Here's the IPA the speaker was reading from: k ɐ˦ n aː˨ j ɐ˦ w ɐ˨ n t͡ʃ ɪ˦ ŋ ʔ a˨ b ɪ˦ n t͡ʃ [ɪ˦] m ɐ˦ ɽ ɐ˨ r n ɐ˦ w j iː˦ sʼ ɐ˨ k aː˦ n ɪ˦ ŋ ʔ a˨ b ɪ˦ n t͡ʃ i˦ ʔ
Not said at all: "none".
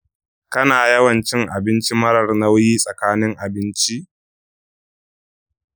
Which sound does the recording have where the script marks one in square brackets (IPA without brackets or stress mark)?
i˦